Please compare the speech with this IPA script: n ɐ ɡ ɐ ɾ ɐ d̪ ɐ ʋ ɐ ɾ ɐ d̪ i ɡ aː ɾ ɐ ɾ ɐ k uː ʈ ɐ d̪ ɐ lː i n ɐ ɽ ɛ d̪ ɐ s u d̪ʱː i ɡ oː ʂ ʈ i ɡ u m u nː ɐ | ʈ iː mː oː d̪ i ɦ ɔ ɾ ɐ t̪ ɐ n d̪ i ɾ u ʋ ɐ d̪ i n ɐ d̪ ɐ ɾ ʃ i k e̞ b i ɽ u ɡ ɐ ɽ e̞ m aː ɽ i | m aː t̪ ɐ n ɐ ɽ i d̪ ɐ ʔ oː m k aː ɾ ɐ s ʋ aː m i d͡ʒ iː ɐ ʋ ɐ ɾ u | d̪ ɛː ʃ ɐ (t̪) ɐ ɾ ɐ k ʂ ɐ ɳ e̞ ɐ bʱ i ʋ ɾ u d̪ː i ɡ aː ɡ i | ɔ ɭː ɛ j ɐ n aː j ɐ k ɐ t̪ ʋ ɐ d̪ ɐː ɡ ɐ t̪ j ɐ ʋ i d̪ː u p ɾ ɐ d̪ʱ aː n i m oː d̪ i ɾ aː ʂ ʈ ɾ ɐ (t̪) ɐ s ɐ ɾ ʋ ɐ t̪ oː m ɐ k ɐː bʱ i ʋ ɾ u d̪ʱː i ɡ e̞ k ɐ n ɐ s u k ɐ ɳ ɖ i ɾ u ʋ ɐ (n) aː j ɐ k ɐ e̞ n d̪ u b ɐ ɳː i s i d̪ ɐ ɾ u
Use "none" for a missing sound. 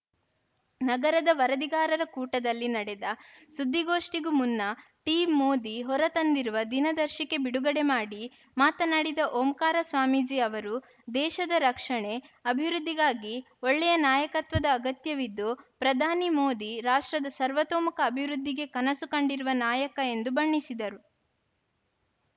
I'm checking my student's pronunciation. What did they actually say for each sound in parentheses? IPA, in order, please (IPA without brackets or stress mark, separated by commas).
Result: d̪, d̪, n